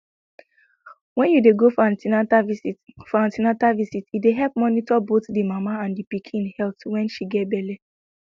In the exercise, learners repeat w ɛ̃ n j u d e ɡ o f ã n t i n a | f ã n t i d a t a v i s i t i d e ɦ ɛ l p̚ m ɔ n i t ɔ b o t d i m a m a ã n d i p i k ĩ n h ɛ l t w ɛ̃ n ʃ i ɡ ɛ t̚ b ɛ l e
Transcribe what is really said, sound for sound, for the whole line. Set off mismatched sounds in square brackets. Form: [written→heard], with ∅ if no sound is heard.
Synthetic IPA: w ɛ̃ n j u d e ɡ o f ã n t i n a | f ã n t i [d→n] a t a v i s i t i d e ɦ ɛ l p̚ m ɔ n i t ɔ b o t d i m a m a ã n d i p i [k→kʰ] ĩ n h ɛ l t w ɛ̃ n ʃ i ɡ ɛ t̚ b ɛ l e